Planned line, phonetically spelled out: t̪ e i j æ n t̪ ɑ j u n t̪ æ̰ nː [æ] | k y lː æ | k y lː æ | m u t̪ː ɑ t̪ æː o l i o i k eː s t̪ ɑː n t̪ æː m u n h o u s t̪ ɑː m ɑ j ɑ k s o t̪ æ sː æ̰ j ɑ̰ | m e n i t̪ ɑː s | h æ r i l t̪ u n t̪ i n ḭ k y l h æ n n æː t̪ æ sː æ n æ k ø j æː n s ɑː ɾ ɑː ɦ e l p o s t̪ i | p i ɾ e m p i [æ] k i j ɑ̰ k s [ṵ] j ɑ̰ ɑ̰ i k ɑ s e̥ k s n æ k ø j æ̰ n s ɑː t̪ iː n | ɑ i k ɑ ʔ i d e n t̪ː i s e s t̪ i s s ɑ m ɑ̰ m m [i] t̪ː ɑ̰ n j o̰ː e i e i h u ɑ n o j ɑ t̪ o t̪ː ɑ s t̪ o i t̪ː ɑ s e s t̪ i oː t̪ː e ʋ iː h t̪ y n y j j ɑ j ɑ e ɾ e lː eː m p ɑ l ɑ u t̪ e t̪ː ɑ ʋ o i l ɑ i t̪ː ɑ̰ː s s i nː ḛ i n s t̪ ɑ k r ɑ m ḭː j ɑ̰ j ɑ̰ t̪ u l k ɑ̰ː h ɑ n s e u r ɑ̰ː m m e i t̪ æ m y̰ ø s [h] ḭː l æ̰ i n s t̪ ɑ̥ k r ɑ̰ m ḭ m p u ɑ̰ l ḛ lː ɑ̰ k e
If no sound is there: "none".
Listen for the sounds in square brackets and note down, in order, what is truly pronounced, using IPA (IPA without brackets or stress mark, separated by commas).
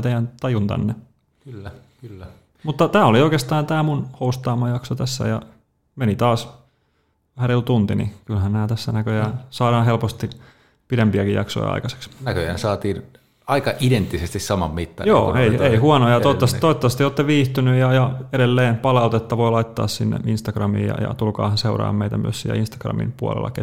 e, æ, o̰, i, s